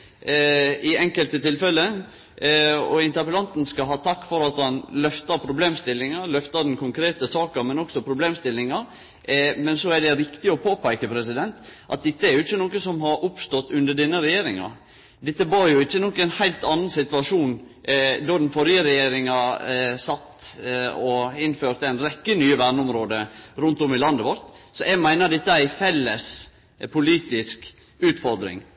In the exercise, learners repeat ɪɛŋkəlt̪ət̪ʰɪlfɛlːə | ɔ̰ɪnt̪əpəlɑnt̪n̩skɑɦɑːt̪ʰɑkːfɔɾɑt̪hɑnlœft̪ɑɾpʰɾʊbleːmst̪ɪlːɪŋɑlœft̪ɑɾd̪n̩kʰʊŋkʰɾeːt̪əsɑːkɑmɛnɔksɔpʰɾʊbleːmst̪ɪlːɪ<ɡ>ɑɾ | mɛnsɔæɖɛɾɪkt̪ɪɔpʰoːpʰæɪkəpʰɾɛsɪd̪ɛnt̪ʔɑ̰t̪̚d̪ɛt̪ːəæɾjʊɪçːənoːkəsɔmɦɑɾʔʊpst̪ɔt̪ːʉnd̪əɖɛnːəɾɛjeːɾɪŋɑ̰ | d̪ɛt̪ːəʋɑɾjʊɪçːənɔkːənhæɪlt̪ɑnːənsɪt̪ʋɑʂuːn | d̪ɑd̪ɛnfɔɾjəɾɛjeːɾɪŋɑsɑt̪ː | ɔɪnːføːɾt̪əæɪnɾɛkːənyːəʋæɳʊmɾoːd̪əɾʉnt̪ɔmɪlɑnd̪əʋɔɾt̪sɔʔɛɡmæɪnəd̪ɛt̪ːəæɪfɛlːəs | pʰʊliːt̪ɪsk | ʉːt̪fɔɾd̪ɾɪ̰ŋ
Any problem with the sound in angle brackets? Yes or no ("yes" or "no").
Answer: yes